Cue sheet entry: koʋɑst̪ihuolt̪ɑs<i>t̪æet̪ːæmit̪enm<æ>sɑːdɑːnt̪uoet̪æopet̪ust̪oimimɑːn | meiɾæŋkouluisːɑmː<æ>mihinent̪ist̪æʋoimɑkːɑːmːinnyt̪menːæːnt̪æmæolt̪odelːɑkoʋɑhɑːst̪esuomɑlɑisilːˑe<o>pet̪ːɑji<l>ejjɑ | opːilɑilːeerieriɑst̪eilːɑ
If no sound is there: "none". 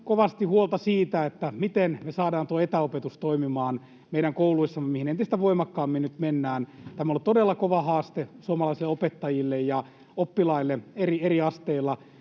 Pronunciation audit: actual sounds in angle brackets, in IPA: iː, e, e, o, lː

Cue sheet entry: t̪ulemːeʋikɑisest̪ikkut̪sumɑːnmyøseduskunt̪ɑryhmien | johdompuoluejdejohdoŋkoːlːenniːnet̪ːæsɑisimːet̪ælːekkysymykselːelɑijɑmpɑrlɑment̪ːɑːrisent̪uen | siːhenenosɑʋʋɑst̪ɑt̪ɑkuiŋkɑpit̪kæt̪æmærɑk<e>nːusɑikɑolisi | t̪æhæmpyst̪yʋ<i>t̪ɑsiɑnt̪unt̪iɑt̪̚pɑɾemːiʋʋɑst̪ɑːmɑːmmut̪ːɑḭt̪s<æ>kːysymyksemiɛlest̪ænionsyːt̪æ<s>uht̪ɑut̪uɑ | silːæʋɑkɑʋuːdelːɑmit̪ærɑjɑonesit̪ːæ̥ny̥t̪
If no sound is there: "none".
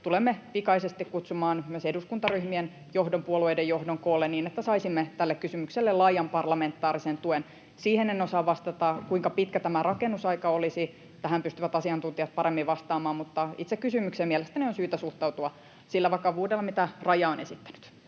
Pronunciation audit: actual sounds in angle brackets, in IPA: e, æ, e, s

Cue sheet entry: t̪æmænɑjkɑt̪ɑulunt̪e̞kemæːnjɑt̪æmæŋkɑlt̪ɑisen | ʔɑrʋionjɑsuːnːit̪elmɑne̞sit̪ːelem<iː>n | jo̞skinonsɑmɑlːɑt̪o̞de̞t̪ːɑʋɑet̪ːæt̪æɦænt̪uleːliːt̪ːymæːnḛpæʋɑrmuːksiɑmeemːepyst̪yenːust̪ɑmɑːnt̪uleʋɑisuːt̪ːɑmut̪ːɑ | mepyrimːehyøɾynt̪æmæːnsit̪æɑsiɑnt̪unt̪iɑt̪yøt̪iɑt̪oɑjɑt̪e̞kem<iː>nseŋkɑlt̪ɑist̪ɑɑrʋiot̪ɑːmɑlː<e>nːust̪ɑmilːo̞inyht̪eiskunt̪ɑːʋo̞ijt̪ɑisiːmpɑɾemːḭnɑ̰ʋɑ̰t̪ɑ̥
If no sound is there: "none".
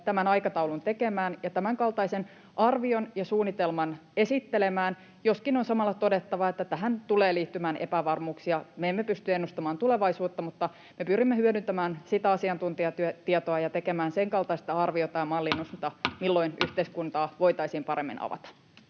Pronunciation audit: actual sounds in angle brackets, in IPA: æː, æː, i

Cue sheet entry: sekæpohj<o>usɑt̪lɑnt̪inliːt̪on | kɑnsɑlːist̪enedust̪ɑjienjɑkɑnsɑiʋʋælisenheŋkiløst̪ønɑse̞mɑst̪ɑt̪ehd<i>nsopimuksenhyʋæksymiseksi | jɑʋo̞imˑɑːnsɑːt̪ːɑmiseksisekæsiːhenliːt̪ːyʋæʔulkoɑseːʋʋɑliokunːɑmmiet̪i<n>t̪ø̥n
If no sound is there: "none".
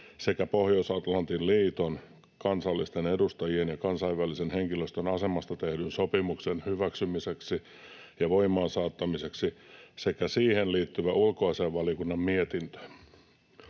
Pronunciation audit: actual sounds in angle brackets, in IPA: o, y, n

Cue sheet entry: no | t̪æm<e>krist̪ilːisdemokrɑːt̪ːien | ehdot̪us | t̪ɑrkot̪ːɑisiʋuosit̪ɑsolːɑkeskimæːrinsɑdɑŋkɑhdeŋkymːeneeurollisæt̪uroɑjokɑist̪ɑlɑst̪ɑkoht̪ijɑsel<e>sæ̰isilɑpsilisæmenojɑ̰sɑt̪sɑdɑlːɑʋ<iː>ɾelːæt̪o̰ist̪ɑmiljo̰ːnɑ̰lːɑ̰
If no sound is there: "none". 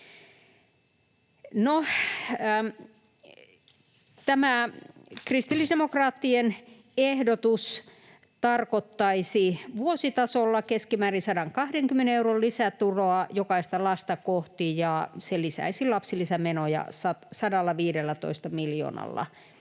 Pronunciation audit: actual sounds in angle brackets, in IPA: æ, i, iː

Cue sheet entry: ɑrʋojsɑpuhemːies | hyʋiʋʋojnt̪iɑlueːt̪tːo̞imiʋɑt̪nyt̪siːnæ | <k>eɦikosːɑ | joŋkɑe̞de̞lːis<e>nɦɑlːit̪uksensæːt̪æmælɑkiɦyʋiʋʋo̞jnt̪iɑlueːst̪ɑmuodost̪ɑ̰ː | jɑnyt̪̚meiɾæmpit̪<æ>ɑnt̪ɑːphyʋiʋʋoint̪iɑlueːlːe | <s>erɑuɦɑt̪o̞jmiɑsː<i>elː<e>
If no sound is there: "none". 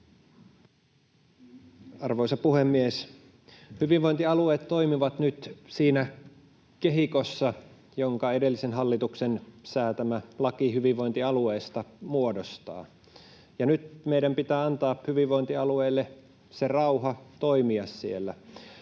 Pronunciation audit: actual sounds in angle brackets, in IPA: k, e, æː, s, i, æ

